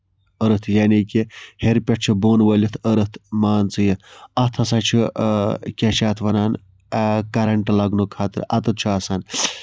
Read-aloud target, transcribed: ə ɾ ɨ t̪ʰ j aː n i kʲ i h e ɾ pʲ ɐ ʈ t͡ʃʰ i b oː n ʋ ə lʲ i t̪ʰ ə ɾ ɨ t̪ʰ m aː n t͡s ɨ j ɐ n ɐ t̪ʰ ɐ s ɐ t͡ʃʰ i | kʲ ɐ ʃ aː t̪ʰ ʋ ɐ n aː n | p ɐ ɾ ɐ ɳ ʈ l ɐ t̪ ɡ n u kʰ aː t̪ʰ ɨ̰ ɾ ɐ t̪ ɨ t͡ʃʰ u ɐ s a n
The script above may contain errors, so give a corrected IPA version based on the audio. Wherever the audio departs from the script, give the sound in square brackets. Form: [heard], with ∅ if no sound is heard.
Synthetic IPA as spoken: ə ɾ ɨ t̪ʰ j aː n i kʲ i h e ɾ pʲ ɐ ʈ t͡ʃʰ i b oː n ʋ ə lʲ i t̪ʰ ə ɾ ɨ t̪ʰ m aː n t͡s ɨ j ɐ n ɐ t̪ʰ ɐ s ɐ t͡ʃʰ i | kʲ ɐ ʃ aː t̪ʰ ʋ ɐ n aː n | [k] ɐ ɾ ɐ ɳ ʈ l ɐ [∅] ɡ n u kʰ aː [t̪] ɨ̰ ɾ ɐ t̪ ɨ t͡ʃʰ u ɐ s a n